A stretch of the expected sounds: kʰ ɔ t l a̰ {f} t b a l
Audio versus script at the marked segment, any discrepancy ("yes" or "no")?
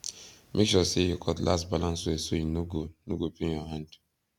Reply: yes